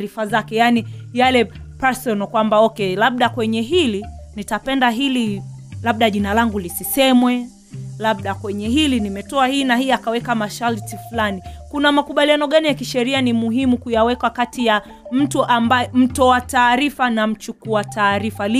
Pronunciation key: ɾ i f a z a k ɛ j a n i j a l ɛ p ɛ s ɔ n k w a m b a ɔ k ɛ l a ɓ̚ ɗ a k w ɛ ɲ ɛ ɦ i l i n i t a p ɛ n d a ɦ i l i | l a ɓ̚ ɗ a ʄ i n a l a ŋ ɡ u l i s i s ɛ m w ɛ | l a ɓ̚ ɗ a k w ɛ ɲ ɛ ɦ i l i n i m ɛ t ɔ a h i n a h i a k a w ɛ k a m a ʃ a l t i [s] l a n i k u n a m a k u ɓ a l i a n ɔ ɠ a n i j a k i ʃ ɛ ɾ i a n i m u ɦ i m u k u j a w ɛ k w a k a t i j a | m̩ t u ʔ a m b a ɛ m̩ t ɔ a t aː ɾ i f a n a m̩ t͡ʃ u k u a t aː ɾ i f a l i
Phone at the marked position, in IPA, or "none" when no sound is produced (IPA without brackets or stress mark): f